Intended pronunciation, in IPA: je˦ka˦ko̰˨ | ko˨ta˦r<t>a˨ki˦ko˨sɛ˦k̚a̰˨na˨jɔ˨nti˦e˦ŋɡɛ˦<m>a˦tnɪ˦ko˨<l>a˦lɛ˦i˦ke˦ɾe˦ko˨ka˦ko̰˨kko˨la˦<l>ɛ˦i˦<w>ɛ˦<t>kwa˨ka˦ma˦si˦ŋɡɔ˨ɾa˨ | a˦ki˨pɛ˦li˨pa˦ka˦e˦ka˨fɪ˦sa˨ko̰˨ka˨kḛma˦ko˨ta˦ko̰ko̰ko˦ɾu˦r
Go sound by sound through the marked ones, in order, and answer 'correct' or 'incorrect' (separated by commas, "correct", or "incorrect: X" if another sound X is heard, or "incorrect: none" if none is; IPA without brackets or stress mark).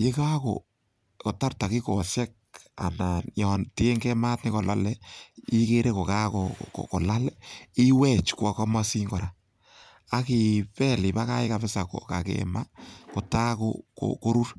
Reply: correct, correct, correct, correct, correct, incorrect: t͡ʃ